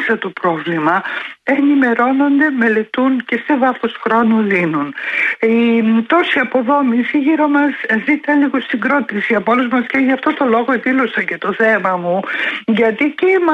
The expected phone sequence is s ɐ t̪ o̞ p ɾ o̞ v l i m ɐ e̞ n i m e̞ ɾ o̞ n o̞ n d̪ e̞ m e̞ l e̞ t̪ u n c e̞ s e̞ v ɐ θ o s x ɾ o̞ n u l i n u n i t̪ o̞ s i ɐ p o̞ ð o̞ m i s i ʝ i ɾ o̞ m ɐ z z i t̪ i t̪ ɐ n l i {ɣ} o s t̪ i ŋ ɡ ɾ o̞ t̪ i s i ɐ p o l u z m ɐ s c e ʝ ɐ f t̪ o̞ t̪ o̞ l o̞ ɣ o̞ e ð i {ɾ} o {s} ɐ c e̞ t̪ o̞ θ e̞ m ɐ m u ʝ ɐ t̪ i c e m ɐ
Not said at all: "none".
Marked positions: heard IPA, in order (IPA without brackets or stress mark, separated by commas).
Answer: ɣ, l, s